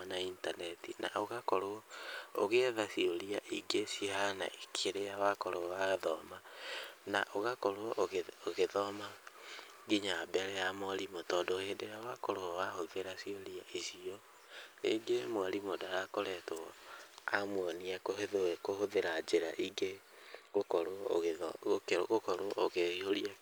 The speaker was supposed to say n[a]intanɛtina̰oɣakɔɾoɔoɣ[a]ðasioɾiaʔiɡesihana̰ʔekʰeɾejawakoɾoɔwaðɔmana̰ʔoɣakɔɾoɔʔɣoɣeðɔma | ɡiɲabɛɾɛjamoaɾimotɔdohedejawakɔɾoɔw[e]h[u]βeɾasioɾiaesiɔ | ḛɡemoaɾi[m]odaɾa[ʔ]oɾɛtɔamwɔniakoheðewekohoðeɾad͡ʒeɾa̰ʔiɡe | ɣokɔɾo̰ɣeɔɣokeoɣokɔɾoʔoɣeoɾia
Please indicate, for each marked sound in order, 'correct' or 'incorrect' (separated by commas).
correct, incorrect, incorrect, incorrect, correct, incorrect